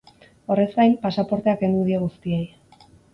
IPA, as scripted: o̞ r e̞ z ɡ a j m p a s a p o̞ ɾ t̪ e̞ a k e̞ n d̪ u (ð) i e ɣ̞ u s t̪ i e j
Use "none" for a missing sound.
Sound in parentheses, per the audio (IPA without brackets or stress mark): ð